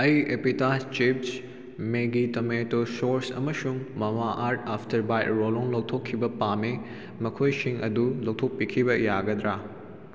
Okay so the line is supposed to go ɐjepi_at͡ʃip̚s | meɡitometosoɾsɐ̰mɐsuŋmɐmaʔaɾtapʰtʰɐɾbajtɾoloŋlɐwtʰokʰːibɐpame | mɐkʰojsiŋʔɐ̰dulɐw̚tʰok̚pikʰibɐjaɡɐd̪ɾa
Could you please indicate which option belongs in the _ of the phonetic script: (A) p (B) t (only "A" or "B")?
B